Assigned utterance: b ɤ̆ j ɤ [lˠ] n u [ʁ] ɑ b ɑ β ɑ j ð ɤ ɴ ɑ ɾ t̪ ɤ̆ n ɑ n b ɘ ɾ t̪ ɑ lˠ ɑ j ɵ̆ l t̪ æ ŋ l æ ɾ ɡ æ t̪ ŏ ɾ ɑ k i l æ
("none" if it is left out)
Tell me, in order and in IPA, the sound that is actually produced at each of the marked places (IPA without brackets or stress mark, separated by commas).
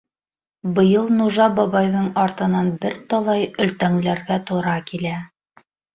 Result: lˠ, ʒ